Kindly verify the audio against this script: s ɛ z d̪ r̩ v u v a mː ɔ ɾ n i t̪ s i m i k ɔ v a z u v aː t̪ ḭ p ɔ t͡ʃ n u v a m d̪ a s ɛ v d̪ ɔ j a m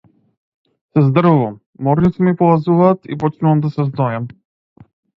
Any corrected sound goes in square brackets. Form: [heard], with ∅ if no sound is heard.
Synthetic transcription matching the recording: s ɛ z d̪ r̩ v u v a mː ɔ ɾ n i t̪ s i m i [p] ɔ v a z u v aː t̪ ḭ p ɔ t͡ʃ n u v a m d̪ a s ɛ [z] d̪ ɔ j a m